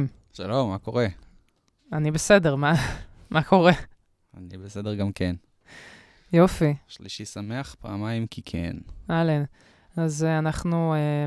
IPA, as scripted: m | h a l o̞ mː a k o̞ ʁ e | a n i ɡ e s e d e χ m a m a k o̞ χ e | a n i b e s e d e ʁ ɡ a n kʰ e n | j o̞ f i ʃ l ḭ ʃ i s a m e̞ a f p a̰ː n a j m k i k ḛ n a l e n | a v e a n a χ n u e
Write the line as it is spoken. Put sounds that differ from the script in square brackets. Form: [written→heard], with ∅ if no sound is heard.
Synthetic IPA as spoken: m | [h→ʃ] a l o̞ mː a k o̞ ʁ e | a n i [ɡ→b] e s e d e [χ→ʁ] m a m a k o̞ [χ→ʁ] e | a n i b e s e d e ʁ ɡ a [n→m] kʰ e n | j o̞ f i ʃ l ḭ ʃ i s a m e̞ a [f→χ] p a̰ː [n→m] a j m k i [k→kʰ] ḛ n a l e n | a [v→z] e a n a χ n u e